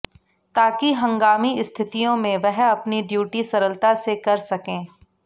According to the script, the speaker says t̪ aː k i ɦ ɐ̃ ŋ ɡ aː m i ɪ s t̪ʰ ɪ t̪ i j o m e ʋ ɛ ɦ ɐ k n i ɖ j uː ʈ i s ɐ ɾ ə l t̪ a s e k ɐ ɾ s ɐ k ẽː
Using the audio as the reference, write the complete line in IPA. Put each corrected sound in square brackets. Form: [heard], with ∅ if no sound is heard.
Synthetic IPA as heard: t̪ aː k i ɦ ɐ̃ ŋ ɡ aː m i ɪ s t̪ʰ ɪ t̪ i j [õ] m [ẽ] ʋ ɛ ɦ ɐ [p] n i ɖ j uː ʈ i s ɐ ɾ ə l t̪ a s e k ɐ ɾ s ɐ k ẽː